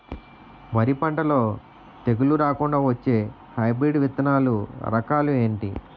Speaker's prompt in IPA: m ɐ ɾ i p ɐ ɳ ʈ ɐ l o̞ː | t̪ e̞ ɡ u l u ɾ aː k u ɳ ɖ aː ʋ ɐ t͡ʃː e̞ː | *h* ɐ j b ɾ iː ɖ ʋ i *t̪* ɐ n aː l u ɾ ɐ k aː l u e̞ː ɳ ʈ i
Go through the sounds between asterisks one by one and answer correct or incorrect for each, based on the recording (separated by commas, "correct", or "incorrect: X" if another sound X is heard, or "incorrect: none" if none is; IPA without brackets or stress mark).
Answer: correct, correct